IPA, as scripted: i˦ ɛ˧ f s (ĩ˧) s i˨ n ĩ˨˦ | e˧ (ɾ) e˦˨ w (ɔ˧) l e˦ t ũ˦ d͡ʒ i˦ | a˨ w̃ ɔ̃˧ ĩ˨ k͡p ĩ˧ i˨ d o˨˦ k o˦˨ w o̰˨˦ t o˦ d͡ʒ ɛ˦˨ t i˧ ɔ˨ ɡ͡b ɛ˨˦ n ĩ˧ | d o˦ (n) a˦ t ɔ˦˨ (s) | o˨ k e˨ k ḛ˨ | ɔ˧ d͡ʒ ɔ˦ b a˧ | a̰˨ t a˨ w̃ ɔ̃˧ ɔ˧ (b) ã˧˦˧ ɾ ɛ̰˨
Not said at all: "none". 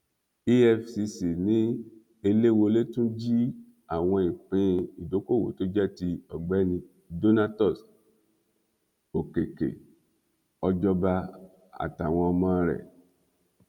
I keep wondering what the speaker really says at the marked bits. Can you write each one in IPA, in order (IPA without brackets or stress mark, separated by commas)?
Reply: i˧, l, o˧, n, s, m